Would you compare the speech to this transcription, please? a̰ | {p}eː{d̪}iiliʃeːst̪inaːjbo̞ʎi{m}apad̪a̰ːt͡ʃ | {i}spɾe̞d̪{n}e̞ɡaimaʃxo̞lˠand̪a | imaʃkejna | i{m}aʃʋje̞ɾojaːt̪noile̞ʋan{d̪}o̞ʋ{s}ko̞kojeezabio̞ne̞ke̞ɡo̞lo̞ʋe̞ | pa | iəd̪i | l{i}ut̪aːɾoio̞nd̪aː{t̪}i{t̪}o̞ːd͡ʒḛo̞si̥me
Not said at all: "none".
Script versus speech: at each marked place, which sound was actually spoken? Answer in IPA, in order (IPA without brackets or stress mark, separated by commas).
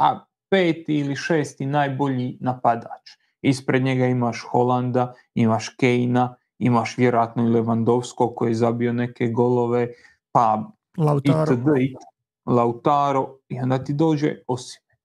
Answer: p, t̪, n, i, ɲ, m, d̪, s, a, t̪, d̪